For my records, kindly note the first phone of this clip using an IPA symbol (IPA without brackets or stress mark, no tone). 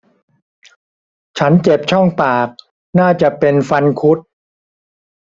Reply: t͡ɕʰ